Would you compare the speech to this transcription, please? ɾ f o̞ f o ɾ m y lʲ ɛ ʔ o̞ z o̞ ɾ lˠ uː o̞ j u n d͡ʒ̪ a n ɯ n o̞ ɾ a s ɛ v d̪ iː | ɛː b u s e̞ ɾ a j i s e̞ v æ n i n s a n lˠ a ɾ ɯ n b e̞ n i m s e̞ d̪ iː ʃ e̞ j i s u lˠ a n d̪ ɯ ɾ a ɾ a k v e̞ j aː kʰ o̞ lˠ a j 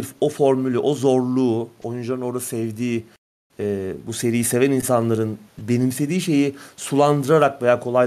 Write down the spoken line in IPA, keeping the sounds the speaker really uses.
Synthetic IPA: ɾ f o̞ f o ɾ m y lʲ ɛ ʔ o̞ z o̞ ɾ lˠ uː o̞ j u n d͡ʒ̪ a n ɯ n o̞ ɾ a s ɛ v d̪ iː | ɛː b u s e̞ ɾ i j i s e̞ v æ n i n s a n lˠ a ɾ ɯ n b e̞ n i m s e̞ d̪ iː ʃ e̞ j i s u lˠ a n d̪ ɯ ɾ a ɾ a k v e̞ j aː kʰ o̞ lˠ a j